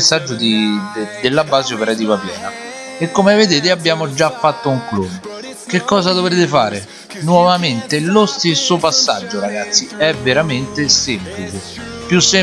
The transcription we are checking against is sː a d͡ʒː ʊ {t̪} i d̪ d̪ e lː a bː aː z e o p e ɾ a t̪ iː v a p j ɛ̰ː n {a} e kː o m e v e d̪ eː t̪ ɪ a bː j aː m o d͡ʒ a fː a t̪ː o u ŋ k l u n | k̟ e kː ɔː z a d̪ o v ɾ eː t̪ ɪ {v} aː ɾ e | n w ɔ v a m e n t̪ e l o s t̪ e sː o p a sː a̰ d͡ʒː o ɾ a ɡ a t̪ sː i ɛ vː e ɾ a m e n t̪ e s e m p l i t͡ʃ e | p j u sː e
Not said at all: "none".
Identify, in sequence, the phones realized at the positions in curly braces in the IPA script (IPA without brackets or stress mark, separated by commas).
d̪, a, f